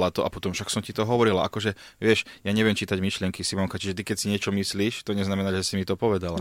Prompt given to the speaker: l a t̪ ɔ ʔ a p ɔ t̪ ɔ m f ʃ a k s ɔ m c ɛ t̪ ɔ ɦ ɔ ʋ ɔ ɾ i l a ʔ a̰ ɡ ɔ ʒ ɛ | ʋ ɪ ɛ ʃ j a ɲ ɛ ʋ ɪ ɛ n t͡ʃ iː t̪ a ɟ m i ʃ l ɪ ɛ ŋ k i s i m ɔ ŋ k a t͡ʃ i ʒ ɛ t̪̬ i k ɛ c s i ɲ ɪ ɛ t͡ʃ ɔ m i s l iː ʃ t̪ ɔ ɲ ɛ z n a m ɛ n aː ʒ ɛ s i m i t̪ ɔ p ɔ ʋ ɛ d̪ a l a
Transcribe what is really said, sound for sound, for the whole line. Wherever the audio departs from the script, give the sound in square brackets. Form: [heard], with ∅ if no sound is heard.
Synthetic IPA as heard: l a t̪ ɔ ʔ a p ɔ t̪ ɔ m f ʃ a k s ɔ m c [i] t̪ ɔ ɦ ɔ ʋ ɔ ɾ i l a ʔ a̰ [k] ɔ ʒ ɛ | ʋ ɪ ɛ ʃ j a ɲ ɛ ʋ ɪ ɛ [m] t͡ʃ iː t̪ a ɟ m i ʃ l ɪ ɛ ŋ k i s i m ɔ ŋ k a t͡ʃ i ʒ ɛ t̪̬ i k ɛ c s i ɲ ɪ ɛ t͡ʃ ɔ m i s l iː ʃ t̪ ɔ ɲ ɛ z n a m ɛ n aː ʒ ɛ s i m i t̪ ɔ p ɔ ʋ ɛ d̪ a l a